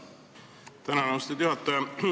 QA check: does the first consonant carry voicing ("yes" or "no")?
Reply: no